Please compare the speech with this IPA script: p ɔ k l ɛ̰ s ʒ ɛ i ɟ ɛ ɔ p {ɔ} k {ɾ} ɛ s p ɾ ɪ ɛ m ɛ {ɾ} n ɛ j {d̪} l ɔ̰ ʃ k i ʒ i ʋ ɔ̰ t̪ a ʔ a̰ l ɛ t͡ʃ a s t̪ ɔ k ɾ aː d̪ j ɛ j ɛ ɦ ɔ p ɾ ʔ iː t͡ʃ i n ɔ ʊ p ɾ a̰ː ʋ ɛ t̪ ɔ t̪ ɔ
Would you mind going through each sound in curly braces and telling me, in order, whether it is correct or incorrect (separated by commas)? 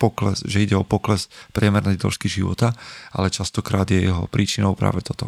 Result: correct, incorrect, correct, correct